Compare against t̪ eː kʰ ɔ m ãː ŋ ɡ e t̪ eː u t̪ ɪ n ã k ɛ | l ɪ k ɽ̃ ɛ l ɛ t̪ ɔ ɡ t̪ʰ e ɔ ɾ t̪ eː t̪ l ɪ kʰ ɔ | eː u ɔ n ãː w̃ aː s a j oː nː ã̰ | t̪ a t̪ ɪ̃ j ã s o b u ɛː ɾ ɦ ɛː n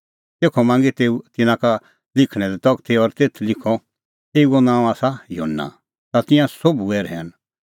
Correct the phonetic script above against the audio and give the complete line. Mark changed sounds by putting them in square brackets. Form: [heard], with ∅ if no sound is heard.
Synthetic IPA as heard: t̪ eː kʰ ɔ m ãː ŋ ɡ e t̪ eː u t̪ ɪ n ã k [a] | l ɪ [kʰ] ɽ̃ ɛ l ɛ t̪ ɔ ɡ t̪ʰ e ɔ ɾ t̪ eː [t̪ʰ] l ɪ kʰ ɔ | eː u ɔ n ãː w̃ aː s a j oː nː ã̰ | t̪ a t̪ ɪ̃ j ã s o b u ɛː ɾ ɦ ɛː n